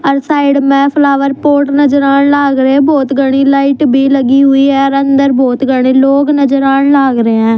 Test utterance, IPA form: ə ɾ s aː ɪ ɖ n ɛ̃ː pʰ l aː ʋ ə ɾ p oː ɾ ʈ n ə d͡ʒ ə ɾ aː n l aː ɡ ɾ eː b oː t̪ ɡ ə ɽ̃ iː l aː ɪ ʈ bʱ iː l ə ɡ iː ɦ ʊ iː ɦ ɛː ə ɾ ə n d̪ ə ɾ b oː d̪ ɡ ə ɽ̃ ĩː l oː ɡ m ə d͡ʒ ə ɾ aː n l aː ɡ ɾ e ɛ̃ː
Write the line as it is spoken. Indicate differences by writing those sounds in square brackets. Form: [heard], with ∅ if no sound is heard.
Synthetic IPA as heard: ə ɾ s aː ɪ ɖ [m] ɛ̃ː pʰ l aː ʋ ə ɾ p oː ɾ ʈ n ə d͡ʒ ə ɾ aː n l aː ɡ ɾ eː b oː t̪ ɡ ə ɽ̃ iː l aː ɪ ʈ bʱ iː l ə ɡ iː ɦ ʊ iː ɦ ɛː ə ɾ ə n d̪ ə ɾ b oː [t̪] ɡ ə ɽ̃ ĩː l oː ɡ [n] ə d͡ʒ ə ɾ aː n l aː ɡ ɾ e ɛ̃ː